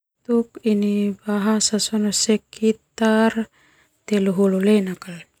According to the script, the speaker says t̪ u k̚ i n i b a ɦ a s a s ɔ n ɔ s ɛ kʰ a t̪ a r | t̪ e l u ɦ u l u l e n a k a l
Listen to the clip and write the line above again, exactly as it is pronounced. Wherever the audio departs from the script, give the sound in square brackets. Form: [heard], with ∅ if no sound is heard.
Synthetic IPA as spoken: t̪ u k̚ i n i b a ɦ a s a s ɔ n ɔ s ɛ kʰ [i] t̪ a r | t̪ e l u ɦ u l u l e n a k a l